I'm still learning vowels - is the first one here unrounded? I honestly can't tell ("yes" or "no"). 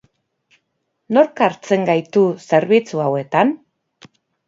no